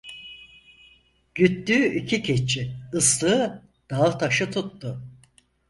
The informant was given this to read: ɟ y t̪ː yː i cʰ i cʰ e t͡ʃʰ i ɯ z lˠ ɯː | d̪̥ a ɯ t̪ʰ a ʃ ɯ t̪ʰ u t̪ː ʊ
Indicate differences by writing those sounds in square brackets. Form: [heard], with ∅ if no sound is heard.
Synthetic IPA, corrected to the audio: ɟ y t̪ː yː i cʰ i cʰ e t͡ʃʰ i ɯ [s] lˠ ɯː | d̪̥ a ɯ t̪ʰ a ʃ ɯ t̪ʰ u t̪ː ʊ